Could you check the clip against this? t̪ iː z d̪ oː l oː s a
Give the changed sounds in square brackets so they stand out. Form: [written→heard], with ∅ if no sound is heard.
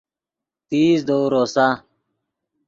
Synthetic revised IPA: t̪ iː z d̪ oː [l→ɾ] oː s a